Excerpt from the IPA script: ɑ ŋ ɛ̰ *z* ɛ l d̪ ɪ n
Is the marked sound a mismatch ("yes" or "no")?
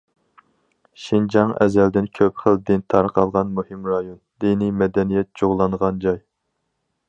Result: no